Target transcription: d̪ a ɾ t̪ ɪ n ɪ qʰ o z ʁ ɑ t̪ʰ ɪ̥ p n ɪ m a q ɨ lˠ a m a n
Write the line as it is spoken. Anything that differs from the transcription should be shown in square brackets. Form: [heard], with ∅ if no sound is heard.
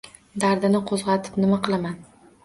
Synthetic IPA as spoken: d̪ a ɾ [d̪] ɪ n ɪ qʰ o z ʁ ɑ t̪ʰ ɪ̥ p n ɪ m a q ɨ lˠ a m a n